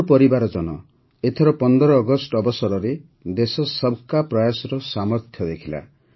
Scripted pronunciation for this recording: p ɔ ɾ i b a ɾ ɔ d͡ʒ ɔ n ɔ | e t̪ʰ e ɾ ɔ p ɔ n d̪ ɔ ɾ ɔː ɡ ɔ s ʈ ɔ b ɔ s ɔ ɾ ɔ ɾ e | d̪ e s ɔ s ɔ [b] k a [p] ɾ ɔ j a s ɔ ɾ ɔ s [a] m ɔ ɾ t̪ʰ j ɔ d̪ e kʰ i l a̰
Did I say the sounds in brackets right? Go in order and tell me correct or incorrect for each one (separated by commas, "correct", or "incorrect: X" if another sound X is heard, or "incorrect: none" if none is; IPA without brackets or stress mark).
correct, correct, correct